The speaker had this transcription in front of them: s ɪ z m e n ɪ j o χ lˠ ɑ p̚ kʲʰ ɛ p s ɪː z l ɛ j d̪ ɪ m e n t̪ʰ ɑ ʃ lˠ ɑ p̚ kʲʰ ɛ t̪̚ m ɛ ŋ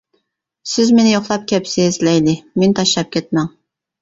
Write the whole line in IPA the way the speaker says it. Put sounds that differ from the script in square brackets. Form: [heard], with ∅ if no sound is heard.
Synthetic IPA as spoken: s ɪ z m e n ɪ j o χ lˠ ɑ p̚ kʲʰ ɛ p s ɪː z l ɛ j d̪ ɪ m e n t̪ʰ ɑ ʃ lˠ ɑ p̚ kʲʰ ɛ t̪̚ m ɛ ŋ